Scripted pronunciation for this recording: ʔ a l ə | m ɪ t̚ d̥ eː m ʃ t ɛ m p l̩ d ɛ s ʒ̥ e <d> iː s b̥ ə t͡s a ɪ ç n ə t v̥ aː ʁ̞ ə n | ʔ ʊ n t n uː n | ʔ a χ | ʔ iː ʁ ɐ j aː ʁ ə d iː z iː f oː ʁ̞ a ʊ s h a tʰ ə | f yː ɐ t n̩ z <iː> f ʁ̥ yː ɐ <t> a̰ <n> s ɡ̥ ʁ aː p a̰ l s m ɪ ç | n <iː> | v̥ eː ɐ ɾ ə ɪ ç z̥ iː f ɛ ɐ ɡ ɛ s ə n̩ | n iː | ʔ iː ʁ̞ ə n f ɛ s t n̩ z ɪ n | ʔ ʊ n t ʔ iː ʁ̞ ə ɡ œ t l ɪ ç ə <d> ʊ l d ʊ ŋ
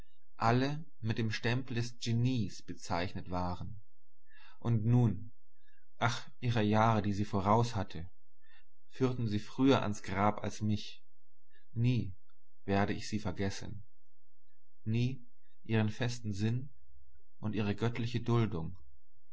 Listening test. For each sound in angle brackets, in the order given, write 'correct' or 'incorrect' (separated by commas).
incorrect, correct, incorrect, correct, correct, correct